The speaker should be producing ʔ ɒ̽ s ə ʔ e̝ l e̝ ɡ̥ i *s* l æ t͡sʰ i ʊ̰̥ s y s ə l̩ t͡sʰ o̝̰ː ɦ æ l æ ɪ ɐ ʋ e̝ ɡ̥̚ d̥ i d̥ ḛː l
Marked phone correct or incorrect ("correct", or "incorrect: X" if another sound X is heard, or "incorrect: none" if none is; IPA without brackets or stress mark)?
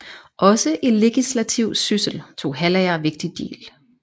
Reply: correct